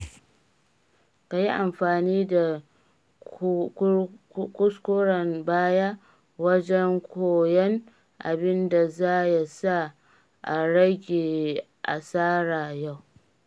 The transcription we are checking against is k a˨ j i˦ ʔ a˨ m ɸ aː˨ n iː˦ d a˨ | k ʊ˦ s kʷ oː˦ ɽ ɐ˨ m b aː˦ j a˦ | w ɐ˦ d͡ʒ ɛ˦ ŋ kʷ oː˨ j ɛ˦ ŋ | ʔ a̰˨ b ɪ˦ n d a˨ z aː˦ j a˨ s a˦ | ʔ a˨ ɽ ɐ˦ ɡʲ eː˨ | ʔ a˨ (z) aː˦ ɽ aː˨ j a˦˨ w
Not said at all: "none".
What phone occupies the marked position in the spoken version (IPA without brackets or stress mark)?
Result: s